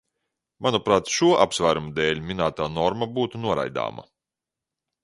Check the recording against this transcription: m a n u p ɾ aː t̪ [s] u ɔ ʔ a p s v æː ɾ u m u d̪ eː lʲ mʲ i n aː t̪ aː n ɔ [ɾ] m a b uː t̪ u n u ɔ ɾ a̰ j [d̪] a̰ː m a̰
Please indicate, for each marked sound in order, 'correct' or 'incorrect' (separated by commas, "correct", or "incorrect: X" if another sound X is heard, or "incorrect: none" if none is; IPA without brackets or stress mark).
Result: incorrect: ʃ, correct, correct